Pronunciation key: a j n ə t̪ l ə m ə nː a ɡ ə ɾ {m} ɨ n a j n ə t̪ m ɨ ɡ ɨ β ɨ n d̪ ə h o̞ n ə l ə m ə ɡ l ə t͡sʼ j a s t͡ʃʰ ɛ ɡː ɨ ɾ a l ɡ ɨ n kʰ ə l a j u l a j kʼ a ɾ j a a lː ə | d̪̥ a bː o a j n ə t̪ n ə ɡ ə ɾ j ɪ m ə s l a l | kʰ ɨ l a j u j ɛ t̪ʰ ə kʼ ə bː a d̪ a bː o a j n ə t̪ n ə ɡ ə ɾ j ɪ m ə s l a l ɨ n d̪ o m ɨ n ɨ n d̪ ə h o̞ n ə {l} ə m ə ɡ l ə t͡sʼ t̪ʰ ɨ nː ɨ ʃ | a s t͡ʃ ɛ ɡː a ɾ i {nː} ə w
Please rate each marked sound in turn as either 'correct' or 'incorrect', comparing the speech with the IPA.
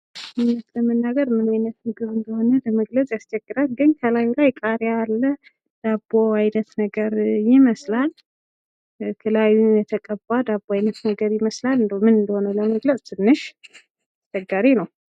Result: correct, correct, incorrect: n

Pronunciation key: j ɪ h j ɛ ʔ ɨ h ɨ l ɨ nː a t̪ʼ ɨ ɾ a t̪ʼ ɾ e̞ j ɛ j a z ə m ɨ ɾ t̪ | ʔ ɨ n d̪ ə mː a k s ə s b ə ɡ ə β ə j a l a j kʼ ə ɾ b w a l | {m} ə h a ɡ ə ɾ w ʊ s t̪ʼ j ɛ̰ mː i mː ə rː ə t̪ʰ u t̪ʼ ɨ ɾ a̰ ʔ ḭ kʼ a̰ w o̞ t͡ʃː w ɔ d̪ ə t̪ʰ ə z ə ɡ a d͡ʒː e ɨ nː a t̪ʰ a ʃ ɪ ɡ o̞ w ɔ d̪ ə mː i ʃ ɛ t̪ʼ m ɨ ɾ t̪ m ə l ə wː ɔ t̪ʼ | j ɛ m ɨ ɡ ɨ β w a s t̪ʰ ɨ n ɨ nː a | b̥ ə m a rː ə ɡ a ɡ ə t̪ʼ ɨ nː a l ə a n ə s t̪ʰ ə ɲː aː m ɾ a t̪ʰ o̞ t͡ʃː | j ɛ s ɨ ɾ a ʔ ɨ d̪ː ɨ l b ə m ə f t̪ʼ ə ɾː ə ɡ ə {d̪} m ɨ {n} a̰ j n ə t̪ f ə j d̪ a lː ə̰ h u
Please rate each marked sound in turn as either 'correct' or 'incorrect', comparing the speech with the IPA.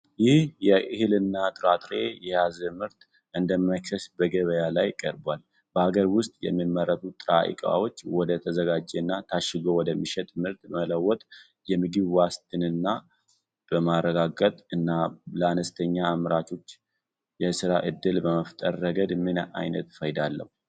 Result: incorrect: b, correct, correct

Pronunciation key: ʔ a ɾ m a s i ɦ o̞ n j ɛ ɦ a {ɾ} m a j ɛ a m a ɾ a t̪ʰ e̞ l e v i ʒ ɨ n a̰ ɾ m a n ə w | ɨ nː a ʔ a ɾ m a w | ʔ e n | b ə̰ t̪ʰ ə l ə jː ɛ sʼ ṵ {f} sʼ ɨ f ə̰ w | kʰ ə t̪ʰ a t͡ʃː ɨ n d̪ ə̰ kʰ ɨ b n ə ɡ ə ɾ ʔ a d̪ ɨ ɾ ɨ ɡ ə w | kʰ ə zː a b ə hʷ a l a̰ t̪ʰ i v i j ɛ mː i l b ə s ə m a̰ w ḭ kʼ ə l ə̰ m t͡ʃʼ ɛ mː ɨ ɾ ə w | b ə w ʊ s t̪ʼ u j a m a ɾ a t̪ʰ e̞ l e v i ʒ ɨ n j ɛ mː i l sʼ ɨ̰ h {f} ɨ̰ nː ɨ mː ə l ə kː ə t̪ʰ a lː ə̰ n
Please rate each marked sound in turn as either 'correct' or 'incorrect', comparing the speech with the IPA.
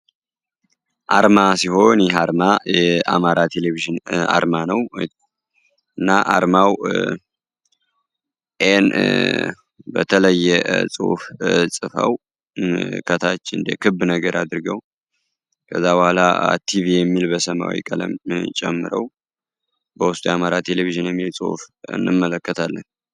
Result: correct, correct, correct

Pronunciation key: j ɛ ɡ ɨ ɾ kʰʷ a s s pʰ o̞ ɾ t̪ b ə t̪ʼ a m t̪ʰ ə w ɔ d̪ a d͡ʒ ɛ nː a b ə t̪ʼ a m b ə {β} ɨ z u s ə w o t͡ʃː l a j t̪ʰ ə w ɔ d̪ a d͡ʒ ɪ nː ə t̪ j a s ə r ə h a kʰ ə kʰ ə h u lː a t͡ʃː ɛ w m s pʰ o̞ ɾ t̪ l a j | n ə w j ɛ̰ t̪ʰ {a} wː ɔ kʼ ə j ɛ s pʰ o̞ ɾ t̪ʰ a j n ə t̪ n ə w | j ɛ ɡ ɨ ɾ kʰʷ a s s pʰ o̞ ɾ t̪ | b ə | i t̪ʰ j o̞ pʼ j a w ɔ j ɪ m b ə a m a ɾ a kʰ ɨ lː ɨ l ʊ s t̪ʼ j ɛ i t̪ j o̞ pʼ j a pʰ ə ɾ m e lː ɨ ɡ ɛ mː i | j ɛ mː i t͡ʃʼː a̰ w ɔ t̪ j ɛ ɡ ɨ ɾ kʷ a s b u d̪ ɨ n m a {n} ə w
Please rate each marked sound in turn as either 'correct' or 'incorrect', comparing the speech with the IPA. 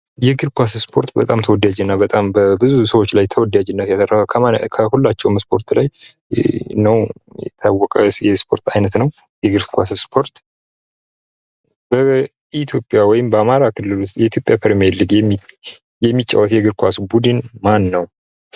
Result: incorrect: b, correct, incorrect: nː

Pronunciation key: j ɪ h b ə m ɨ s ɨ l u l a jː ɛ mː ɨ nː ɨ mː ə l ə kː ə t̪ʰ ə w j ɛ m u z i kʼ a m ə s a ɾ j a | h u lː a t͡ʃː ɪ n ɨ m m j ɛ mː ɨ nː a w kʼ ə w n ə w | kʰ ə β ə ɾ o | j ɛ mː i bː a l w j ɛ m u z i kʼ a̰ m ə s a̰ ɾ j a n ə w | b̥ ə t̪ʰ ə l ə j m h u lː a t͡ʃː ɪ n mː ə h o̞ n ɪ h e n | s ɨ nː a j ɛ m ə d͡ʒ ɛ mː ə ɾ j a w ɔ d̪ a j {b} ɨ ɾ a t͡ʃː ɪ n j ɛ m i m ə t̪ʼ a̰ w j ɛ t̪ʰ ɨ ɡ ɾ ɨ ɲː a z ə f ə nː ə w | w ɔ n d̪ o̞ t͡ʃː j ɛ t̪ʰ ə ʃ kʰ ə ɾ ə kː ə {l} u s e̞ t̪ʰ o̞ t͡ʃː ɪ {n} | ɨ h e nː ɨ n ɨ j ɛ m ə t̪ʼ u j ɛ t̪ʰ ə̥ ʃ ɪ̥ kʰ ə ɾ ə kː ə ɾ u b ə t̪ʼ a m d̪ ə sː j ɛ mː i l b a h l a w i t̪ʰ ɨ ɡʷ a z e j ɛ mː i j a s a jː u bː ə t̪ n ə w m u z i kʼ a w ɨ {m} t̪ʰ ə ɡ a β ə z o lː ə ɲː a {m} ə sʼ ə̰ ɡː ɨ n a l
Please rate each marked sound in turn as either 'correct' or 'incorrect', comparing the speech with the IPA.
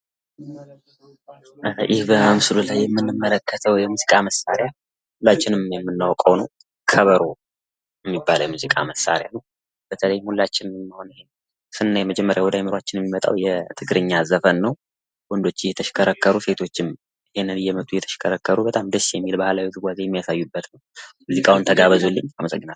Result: incorrect: m, incorrect: ɾ, incorrect: m, incorrect: n, correct

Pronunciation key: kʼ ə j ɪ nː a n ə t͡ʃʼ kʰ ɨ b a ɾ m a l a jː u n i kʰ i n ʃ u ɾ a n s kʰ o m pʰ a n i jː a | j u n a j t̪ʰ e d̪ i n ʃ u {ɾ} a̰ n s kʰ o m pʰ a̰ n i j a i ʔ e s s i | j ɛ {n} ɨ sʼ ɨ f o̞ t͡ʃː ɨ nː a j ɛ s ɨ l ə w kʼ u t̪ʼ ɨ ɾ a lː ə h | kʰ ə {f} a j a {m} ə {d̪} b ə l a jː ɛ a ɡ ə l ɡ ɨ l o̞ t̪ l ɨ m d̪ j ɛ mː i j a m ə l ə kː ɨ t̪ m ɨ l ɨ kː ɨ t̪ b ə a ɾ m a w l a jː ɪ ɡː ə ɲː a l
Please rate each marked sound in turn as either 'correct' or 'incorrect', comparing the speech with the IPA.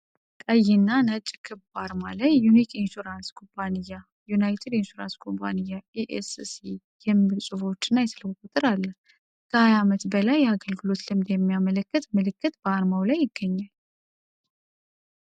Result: correct, incorrect: m, incorrect: h, correct, incorrect: t̪

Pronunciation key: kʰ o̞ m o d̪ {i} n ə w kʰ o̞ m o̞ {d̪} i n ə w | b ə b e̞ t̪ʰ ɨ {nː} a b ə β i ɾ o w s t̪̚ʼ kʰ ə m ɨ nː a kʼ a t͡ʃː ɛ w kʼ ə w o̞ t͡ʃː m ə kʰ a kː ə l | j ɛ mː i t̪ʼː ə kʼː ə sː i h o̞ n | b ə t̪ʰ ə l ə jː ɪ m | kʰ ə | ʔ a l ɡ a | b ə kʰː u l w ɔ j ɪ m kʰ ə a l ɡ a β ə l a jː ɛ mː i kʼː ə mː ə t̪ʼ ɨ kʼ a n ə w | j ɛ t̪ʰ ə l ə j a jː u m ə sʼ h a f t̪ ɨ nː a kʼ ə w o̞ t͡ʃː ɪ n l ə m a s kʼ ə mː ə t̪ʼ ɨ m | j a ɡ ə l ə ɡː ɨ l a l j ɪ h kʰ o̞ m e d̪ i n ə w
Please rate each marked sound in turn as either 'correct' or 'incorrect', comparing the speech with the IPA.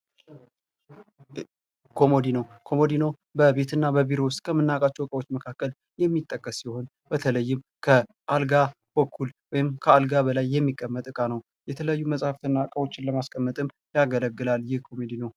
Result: correct, correct, correct

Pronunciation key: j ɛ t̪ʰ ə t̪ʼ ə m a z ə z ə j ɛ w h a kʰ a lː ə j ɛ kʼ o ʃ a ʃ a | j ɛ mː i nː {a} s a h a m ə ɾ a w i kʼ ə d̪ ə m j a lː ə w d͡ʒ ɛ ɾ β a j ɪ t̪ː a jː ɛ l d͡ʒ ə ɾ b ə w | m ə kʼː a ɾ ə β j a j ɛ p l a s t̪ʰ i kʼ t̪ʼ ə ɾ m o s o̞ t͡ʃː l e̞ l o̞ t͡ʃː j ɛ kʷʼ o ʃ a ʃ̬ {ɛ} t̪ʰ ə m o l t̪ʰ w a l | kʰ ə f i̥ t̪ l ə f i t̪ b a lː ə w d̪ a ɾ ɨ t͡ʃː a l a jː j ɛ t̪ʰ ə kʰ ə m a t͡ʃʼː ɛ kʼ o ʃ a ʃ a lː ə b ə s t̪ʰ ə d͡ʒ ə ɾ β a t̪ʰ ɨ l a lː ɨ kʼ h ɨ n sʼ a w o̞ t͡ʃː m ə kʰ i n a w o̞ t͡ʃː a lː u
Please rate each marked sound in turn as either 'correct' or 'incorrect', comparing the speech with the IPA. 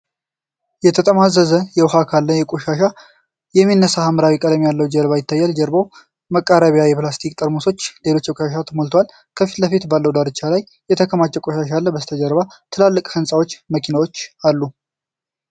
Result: incorrect: ə, incorrect: a

